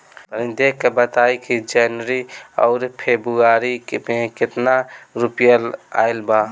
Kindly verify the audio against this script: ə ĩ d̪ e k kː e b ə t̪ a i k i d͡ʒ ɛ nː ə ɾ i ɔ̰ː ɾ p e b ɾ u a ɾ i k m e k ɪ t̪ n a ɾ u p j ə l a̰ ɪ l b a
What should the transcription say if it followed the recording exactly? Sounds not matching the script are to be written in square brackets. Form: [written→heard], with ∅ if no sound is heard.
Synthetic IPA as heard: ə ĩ d̪ e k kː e b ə t̪ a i k i d͡ʒ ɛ [nː→n] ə ɾ i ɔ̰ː ɾ [p→pʰ] e b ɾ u a ɾ i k m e k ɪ t̪ n a ɾ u p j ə l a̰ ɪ l b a